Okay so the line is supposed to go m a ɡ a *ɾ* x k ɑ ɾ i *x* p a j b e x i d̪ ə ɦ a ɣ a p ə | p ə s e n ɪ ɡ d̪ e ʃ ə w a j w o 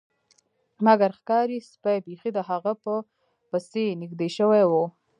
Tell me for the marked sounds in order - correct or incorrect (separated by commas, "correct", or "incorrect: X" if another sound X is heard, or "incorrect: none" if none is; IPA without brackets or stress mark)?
correct, incorrect: s